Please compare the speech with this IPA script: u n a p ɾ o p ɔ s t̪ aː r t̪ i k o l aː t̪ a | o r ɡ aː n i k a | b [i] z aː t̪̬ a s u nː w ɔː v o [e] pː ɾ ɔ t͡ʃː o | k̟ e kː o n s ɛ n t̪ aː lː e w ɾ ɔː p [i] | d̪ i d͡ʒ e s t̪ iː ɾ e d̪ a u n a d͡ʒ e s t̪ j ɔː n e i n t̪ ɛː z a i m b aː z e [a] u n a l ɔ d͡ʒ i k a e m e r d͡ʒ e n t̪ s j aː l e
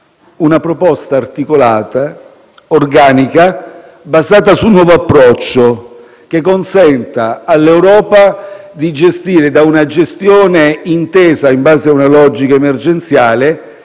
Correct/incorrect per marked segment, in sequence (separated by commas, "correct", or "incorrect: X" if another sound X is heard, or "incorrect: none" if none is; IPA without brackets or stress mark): incorrect: a, incorrect: a, incorrect: a, correct